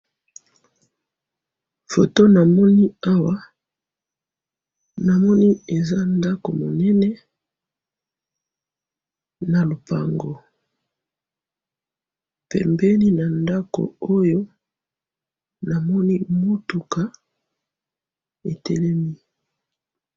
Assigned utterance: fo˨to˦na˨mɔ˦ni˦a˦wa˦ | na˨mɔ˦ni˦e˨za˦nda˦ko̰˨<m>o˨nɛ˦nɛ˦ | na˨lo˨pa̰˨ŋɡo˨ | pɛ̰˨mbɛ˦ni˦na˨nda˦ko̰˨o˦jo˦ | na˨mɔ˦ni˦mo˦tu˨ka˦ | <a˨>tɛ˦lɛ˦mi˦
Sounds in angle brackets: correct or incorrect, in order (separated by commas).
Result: correct, incorrect